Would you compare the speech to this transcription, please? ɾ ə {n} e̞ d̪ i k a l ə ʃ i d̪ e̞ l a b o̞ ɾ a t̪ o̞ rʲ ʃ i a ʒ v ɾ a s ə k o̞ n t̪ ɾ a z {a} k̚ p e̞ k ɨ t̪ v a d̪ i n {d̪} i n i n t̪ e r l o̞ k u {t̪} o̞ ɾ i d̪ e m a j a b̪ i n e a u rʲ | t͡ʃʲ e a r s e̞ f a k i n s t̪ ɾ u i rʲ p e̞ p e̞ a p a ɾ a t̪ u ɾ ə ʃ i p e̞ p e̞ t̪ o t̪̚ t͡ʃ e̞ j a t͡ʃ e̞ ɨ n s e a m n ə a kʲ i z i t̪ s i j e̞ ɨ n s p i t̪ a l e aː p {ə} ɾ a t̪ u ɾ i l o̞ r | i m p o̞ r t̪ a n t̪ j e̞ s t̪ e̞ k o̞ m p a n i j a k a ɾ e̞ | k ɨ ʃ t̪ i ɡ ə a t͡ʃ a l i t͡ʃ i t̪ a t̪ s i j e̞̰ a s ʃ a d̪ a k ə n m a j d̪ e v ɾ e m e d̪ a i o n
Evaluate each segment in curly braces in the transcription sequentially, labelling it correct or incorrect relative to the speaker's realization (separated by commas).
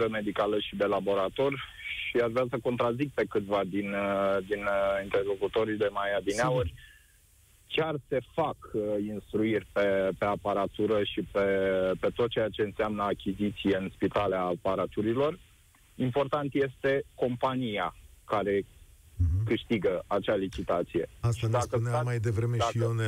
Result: incorrect, incorrect, correct, correct, incorrect